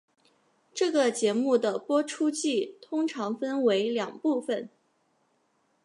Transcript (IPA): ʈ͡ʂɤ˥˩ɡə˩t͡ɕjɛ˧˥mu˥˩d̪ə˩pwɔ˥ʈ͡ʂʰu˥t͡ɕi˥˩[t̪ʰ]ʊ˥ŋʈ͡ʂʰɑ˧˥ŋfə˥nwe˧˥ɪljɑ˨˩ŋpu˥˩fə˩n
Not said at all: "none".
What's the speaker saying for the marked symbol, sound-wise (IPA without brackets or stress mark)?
t̪ʰ